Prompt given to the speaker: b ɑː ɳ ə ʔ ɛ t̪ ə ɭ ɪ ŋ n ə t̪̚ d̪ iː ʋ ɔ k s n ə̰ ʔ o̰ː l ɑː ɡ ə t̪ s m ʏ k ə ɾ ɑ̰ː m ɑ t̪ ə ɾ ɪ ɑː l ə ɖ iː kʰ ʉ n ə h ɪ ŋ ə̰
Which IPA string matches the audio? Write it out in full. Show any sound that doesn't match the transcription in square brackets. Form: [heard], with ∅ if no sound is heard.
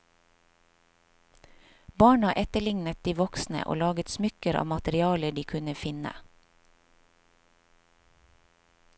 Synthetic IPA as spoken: b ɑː ɳ [ɑ] ʔ ɛ t̪ ə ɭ ɪ ŋ n ə t̪̚ d̪ iː ʋ ɔ k s n ə̰ ʔ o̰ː l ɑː ɡ ə t̪ s m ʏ k ə ɾ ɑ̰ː m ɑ t̪ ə ɾ ɪ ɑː l ə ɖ iː kʰ ʉ n ə [f] ɪ [n] ə̰